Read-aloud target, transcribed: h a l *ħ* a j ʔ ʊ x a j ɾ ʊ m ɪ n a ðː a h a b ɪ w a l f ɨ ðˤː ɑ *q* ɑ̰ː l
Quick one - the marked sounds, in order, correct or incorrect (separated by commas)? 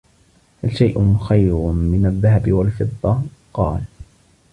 incorrect, correct